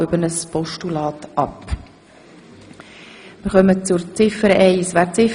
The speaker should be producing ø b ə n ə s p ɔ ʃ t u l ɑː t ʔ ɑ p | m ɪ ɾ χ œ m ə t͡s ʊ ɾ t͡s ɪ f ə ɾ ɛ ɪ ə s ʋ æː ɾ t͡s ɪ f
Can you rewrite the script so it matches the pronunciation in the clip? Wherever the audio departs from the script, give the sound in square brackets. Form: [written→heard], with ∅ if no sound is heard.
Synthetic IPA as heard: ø b ə n ə s p ɔ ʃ t u l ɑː t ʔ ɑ p | m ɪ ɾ χ œ m ə t͡s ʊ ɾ t͡s ɪ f ə ɾ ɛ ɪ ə s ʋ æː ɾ t͡s ɪ f